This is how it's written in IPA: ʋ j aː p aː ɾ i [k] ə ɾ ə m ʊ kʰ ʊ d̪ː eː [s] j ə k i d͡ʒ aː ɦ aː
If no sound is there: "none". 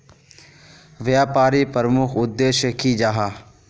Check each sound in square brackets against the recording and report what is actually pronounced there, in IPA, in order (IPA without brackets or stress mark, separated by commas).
p, ʃ